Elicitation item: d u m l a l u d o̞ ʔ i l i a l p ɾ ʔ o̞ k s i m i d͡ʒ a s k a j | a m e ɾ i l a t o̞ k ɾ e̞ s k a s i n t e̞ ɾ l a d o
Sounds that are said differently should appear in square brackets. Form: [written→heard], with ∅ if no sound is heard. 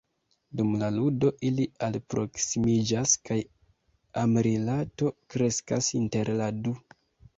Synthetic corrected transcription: d u m l a l u d o̞ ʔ i l i a l p ɾ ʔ o̞ k s i m i d͡ʒ a s k a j | a m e ɾ i l a t o̞ k ɾ e̞ s k a s i n t e̞ ɾ l a d [o→u]